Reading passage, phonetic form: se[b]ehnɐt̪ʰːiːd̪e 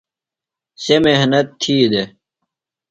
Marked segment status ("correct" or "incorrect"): incorrect